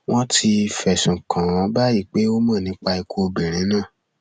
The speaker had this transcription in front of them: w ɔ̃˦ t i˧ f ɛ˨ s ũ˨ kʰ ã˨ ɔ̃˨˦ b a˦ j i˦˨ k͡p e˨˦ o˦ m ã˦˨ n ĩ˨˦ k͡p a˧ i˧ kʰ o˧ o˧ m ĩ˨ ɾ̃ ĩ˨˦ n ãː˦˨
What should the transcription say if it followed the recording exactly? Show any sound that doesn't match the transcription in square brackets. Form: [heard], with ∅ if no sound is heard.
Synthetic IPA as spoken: w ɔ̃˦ t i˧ f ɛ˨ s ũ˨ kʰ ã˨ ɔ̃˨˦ b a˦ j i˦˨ k͡p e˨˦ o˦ m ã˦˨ n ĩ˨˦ k͡p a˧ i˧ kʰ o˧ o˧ [b] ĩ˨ ɾ̃ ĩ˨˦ n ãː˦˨

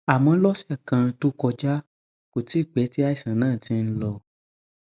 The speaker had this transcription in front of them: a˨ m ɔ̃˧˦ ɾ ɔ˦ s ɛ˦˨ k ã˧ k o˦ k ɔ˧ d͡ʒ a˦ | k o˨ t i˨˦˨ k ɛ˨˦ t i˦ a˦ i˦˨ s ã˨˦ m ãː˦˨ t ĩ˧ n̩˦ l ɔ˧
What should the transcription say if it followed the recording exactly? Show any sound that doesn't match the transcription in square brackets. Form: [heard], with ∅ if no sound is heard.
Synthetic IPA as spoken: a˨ m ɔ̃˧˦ [l] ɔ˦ s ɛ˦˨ k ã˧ [t] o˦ k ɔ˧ d͡ʒ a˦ | k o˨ t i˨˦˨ [k͡p] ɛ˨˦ t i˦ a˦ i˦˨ s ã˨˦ [n] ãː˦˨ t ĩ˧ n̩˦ l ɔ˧

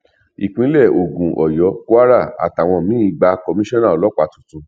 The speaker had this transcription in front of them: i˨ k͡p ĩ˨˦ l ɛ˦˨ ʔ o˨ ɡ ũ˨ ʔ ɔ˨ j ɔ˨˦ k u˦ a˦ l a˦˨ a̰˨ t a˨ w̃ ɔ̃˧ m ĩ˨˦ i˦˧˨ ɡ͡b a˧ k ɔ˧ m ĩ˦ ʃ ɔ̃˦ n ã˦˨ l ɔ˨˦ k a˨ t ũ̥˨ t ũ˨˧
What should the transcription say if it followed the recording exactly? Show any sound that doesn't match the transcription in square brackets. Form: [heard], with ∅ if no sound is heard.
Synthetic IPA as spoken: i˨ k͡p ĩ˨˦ l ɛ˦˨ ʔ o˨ ɡ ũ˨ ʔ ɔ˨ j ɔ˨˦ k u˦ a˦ [ɾ] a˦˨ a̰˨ t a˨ w̃ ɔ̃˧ m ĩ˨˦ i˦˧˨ ɡ͡b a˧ k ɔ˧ m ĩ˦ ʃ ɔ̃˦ n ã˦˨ l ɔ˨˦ [k͡p] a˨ t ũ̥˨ t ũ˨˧

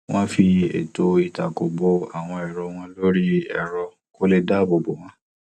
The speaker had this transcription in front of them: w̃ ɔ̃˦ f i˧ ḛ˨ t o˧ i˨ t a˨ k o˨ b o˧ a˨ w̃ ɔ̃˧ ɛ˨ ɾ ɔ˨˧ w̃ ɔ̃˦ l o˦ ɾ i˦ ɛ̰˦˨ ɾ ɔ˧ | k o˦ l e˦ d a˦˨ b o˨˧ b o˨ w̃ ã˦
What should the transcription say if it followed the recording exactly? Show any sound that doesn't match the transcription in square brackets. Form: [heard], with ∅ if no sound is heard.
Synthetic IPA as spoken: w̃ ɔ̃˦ f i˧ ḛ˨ t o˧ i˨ t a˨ k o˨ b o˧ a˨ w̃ ɔ̃˧ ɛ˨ ɾ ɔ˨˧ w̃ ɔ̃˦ l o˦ ɾ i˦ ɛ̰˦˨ ɾ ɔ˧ | k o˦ l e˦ d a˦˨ b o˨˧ b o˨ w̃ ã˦

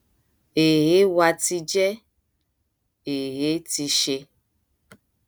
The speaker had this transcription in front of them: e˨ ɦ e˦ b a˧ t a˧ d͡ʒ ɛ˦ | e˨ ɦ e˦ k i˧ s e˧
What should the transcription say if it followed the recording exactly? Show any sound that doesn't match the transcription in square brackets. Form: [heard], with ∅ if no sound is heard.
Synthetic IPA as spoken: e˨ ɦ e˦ [w] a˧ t [i˧] d͡ʒ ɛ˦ | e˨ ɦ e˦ [t] i˧ [ʃ] e˧

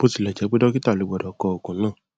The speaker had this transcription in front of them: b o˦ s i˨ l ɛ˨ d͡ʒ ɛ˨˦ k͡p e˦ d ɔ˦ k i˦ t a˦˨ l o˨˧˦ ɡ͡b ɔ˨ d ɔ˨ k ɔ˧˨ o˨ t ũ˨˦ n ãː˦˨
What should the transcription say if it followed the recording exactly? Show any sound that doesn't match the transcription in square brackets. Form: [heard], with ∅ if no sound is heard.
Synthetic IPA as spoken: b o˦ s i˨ l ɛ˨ d͡ʒ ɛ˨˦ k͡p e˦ d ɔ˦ k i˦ t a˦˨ l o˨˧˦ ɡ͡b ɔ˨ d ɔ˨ k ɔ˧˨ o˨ [k] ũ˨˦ n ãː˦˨

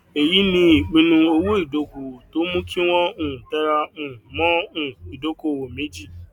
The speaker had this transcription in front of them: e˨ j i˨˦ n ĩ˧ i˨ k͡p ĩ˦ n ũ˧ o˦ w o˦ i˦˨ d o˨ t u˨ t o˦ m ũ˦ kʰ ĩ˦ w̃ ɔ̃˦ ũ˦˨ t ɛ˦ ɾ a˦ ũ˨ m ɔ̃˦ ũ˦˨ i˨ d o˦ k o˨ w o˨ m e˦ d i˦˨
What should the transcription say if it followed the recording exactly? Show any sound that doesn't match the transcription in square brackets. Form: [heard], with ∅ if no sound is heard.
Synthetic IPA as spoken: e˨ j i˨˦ n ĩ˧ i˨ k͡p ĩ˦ n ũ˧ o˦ w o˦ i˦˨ d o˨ [k] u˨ t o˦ m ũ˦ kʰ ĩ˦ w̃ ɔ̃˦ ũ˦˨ t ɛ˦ ɾ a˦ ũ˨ m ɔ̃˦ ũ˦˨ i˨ d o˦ k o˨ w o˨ m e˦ [d͡ʒ] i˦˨

